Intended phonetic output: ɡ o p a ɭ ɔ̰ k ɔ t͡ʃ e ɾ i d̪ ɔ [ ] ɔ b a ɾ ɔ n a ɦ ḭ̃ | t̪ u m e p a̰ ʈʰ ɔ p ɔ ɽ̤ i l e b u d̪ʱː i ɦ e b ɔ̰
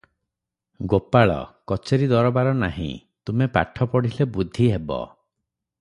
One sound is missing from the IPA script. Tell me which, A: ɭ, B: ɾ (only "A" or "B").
B